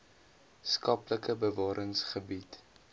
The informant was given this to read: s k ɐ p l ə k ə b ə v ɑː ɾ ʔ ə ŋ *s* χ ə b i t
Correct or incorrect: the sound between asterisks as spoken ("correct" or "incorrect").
correct